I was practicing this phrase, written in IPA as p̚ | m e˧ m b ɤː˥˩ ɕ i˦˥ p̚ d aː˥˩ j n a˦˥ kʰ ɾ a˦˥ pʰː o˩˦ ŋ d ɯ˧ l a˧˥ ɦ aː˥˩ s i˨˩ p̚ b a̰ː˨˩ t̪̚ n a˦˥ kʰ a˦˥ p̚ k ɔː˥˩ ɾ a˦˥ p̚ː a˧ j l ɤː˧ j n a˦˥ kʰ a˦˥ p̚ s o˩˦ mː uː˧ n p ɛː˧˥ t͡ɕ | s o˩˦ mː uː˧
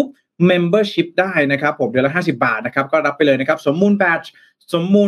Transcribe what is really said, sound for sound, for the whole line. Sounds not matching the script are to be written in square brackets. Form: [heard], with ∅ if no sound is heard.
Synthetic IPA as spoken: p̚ | m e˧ m b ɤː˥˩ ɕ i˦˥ p̚ d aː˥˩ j n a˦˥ kʰ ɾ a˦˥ pʰː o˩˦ [m] d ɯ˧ l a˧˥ ɦ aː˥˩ s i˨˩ p̚ b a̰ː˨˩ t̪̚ n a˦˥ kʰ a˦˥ p̚ k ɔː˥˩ ɾ a˦˥ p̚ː a˧ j l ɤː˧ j n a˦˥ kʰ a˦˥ p̚ s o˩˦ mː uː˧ n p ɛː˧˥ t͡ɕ | s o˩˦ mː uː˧